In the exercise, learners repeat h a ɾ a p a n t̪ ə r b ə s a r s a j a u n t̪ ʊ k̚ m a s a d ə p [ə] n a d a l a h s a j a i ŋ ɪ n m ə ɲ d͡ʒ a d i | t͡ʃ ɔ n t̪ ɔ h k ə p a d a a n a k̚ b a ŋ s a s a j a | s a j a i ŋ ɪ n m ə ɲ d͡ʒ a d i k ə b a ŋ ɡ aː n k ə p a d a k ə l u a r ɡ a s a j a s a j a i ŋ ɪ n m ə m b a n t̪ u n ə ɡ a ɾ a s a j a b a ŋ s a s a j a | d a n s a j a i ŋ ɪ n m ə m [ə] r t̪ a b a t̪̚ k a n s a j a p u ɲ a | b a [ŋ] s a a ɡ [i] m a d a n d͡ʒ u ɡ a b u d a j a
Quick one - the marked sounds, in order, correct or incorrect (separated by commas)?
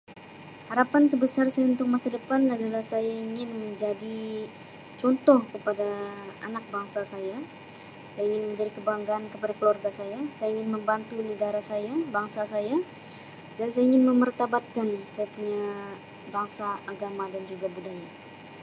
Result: incorrect, correct, correct, incorrect